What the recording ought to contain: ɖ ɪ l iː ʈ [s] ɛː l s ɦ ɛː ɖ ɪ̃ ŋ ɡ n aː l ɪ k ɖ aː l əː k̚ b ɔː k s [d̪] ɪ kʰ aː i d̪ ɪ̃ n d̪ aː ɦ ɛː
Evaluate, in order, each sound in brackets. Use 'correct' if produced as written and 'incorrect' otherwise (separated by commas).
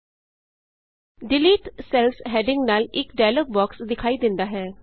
correct, correct